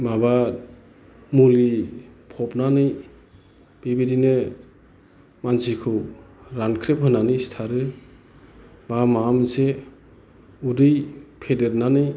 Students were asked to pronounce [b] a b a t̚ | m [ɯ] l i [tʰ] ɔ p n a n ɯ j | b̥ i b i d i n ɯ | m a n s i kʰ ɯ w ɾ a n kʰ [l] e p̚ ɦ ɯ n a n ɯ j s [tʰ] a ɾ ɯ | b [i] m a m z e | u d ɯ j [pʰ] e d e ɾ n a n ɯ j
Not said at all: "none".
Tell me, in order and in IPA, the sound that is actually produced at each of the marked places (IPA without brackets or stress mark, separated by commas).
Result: m, u, pʰ, ɾ, tʰ, a, pʰ